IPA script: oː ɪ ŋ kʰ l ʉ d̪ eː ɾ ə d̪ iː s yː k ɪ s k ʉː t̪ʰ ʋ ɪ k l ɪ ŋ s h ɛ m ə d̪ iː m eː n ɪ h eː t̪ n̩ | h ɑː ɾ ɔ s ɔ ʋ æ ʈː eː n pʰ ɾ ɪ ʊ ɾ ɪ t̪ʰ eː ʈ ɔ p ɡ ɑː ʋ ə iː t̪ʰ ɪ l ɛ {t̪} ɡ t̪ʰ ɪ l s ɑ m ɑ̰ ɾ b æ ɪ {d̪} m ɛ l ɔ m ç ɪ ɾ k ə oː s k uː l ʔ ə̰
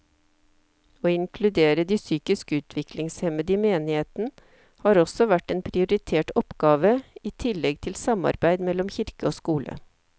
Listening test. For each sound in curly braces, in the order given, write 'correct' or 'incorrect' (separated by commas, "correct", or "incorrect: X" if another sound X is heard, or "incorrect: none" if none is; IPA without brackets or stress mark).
incorrect: none, correct